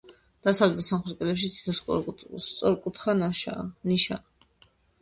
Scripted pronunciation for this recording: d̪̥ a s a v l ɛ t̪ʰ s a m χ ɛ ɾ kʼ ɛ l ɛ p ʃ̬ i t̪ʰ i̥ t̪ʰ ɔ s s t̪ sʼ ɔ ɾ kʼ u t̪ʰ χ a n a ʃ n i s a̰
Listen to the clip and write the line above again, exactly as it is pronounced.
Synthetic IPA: d̪̥ a s a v l ɛ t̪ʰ s a m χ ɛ ɾ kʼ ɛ l ɛ p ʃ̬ i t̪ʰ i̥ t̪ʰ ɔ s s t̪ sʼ ɔ ɾ kʼ u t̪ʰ χ a n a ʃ n i ʃ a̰